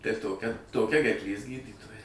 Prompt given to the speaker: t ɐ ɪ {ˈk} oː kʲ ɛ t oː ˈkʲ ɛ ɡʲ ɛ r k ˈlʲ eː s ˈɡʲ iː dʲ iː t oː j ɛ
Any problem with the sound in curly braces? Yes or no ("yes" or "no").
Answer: yes